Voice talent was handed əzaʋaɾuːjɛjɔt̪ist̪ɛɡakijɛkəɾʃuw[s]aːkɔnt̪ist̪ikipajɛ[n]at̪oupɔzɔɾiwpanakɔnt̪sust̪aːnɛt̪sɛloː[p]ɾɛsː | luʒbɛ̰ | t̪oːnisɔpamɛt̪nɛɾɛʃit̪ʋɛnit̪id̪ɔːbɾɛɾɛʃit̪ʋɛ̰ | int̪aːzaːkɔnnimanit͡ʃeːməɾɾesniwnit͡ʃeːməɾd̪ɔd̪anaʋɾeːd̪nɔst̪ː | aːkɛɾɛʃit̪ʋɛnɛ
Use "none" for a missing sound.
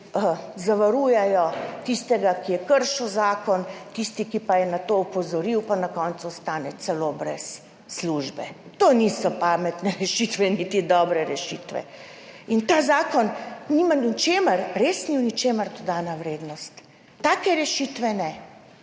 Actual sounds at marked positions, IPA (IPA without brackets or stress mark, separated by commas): z, n, b